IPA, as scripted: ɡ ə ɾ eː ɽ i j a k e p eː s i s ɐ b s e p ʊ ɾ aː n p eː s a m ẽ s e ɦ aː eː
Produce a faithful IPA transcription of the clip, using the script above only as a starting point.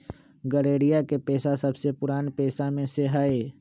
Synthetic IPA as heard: ɡ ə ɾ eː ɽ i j a k e p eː s a s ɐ b s e p ʊ ɾ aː n p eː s a m ẽ s e ɦ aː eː